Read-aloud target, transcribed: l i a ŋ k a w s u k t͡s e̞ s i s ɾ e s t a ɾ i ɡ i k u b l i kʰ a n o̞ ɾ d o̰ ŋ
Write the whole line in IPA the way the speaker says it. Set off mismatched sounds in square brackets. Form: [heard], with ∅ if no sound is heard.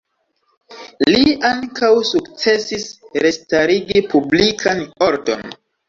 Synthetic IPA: l i a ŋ k a w s u k t͡s e̞ s i s ɾ e s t a ɾ i ɡ i [p] u b l i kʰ a n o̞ ɾ d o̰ [n]